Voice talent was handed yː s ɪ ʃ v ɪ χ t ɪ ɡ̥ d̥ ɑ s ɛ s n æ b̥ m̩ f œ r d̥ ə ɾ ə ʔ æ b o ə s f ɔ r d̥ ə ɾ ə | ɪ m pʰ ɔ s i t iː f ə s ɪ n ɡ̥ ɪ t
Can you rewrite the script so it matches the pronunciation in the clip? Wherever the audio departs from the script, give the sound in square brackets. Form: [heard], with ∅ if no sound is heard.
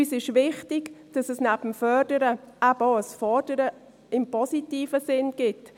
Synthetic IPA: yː s ɪ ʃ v ɪ χ t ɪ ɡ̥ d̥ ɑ s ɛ s n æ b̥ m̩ f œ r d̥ ə ɾ ə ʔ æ b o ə s f ɔ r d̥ ə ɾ ə | ɪ m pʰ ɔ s i t iː f ə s ɪ n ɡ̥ ɪ t